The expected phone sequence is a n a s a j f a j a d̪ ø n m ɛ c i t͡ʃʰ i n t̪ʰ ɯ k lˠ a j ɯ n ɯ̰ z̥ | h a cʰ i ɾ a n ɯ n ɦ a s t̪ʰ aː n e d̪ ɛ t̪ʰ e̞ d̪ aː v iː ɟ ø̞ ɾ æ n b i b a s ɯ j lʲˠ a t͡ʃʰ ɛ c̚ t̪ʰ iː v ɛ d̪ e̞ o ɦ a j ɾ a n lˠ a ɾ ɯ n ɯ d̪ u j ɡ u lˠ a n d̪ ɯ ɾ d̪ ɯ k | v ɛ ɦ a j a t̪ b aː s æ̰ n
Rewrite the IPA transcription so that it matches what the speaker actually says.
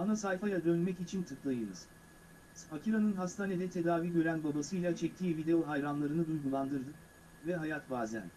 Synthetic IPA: a n a s a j f a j a d̪ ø n m ɛ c i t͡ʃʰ i n t̪ʰ ɯ k lˠ a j ɯ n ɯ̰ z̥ | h a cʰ i ɾ a n ɯ n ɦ a s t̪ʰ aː n e d̪ ɛ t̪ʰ e̞ d̪ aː v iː ɟ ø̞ ɾ æ n b a b a s ɯ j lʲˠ a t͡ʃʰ ɛ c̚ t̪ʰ iː v i d̪ e̞ o ɦ a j ɾ a n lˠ a ɾ ɯ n ɯ d̪ u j ɡ u lˠ a n d̪ ɯ ɾ d̪ ɯ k | v ɛ ɦ a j a t̪ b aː z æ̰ n